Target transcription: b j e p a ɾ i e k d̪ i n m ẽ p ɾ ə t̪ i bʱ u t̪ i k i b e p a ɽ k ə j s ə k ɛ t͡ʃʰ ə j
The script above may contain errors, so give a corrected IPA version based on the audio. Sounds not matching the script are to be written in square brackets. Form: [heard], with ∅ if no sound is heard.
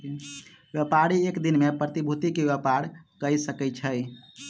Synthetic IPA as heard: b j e p a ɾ i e k d̪ i n m [e] p ɾ ə t̪ i bʱ u t̪ i k [e] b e p a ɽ k ə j s ə k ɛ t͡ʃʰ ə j